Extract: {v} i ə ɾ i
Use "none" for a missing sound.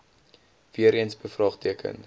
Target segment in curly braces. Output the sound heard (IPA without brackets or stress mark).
v